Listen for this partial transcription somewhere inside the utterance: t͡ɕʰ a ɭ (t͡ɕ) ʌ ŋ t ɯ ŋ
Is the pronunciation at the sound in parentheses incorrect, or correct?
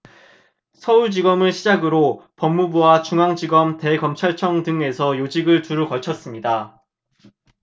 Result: incorrect